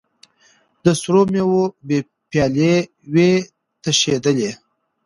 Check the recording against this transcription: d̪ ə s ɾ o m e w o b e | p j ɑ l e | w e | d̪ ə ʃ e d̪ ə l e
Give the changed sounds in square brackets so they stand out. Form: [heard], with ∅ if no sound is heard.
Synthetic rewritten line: d̪ ə s ɾ o m e w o b e | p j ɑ l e | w e | [t̪] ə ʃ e d̪ ə l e